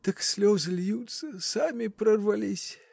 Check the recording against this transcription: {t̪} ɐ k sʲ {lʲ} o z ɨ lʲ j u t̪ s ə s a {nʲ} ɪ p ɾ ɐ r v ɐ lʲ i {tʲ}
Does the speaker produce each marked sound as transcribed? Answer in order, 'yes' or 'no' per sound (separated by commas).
yes, yes, no, no